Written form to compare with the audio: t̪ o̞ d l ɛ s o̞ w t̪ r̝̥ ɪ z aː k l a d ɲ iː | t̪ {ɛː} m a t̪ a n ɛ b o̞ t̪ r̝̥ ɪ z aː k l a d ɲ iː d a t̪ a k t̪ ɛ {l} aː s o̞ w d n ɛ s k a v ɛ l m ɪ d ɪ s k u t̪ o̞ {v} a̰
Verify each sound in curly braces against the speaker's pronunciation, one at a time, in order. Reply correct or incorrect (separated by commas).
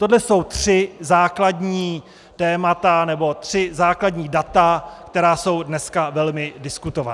correct, incorrect, correct